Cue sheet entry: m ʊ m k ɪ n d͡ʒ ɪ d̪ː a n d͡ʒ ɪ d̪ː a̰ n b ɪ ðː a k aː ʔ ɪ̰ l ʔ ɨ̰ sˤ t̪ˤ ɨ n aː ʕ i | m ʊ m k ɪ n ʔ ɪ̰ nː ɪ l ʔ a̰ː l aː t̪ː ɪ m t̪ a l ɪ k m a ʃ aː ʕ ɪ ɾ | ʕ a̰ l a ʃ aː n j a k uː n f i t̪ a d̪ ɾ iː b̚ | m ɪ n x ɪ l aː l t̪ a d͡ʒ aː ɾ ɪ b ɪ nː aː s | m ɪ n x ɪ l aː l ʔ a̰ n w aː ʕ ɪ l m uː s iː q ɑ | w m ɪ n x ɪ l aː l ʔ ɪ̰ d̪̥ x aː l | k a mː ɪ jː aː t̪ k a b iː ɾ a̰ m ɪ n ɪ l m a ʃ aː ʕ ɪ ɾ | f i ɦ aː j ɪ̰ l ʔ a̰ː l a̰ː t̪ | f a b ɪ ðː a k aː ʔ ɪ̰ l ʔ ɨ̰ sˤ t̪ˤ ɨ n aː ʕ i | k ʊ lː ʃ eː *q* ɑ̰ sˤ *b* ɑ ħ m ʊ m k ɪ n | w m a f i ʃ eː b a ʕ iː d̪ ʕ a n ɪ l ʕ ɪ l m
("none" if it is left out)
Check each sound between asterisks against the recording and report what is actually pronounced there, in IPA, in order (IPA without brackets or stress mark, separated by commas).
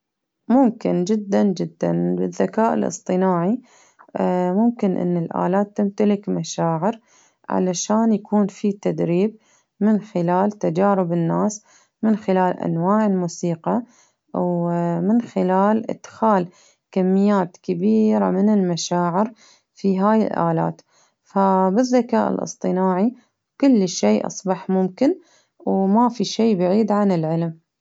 ʔ, b